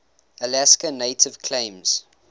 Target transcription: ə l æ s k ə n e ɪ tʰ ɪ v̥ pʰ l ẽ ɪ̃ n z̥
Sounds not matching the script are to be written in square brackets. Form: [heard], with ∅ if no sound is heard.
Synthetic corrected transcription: ə l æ s k ə n e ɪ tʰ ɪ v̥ [kʰ] l ẽ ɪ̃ [m] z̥